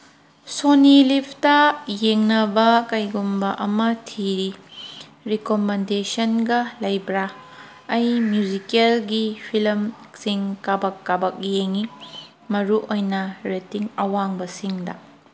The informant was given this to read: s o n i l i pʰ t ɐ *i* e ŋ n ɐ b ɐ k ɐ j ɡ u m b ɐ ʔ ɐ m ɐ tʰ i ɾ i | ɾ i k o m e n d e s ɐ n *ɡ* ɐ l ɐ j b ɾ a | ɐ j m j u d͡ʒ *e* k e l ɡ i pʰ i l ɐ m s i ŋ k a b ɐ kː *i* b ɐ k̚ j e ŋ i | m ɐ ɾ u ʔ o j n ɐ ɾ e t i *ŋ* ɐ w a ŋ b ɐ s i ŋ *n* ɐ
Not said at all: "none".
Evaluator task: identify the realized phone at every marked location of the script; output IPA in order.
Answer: j, ɡ, i, a, ŋ, d

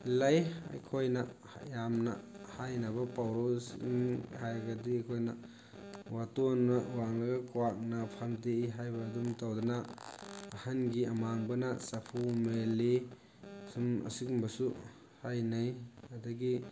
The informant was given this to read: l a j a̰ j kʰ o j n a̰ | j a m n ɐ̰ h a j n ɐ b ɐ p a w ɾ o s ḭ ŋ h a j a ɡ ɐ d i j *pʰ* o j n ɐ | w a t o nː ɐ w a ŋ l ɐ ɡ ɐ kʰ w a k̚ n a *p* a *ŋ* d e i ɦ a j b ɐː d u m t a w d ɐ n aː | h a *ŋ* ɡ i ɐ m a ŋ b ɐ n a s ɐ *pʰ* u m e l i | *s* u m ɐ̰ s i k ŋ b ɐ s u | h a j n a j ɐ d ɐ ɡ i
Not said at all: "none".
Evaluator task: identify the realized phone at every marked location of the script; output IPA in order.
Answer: kʰ, pʰ, m, n, pʰ, s

